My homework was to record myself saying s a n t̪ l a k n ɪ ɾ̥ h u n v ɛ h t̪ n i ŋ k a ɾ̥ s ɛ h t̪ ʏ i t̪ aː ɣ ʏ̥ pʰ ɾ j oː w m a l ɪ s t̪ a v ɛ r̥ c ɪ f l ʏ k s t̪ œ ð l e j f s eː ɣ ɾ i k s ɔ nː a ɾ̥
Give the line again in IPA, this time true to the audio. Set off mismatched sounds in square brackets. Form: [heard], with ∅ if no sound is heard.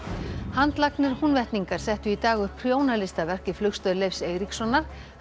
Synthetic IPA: [h] a n t̪ l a k n ɪ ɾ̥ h u n v ɛ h t̪ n i ŋ k a ɾ̥ s ɛ h t̪ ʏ i t̪ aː ɣ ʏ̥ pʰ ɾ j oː w [n] a l ɪ s t̪ a v ɛ r̥ c ɪ f l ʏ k s t̪ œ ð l e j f s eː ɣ ɾ i k s ɔ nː a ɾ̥